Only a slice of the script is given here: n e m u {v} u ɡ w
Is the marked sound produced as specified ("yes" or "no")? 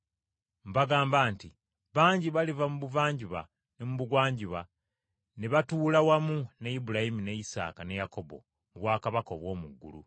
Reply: no